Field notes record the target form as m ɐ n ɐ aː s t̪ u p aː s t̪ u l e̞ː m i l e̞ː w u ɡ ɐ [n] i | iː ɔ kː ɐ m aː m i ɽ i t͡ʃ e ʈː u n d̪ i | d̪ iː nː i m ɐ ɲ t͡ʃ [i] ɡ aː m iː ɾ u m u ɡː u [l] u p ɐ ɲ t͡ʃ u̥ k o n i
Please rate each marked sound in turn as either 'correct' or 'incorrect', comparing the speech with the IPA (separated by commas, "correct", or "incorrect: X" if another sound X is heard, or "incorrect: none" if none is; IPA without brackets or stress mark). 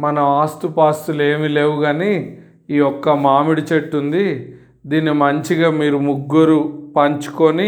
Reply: correct, correct, incorrect: ɾ